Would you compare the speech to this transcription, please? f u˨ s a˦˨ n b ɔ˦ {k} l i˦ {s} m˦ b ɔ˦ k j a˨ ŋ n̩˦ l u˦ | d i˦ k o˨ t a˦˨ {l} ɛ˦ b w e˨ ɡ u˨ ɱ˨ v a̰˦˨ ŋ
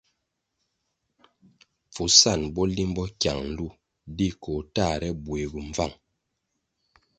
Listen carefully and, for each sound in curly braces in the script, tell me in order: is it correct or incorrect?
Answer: incorrect: none, incorrect: none, incorrect: ɾ

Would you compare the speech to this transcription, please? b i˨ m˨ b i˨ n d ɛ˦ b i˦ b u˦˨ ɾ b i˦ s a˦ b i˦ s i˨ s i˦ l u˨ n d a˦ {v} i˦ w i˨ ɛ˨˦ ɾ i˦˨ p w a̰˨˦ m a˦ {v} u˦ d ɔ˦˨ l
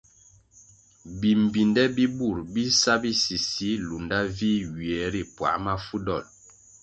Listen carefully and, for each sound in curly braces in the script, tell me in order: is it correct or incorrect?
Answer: correct, incorrect: f

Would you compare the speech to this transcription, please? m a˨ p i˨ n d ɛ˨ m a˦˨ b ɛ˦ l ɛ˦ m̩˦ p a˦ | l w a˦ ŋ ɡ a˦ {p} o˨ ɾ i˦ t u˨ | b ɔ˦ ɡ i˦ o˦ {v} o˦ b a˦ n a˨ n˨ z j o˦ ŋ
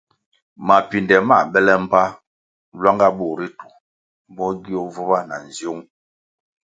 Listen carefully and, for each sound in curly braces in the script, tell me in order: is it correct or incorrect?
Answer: incorrect: b, correct

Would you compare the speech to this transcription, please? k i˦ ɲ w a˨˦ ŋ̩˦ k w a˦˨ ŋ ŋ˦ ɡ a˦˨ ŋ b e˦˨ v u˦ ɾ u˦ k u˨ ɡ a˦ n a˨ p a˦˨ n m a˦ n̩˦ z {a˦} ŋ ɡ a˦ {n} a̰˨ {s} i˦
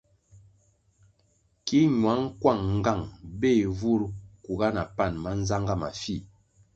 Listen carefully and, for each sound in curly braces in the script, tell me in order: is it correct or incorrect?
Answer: correct, incorrect: m, incorrect: f

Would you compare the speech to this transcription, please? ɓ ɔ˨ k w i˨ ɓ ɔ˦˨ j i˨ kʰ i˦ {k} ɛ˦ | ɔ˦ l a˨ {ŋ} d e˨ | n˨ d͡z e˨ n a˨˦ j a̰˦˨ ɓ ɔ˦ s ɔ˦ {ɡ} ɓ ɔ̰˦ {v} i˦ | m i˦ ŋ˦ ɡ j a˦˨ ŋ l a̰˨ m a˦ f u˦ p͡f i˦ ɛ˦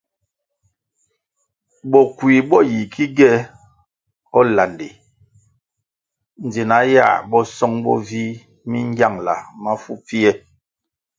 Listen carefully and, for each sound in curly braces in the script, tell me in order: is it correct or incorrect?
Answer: incorrect: ɡ, incorrect: n, incorrect: ŋ, correct

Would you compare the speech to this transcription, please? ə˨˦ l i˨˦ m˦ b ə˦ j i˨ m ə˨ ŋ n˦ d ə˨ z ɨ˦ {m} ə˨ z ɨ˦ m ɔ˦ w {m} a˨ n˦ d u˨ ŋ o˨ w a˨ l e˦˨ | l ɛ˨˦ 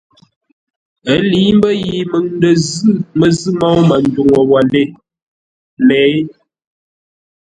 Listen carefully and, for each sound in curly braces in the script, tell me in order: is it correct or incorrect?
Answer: correct, correct

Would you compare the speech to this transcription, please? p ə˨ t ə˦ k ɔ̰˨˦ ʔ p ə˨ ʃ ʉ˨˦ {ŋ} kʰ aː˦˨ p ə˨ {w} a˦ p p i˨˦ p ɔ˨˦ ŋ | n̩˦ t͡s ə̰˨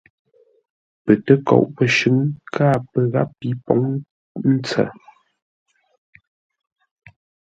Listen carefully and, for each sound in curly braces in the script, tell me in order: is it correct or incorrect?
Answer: correct, incorrect: ɣ

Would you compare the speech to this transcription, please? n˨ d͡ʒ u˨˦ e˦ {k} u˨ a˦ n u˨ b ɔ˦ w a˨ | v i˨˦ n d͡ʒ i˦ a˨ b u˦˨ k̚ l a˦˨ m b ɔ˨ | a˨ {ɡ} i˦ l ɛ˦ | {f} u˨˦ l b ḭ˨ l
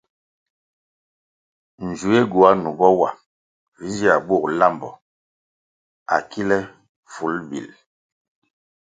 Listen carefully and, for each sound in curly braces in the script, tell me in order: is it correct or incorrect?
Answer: incorrect: ɡ, incorrect: k, correct

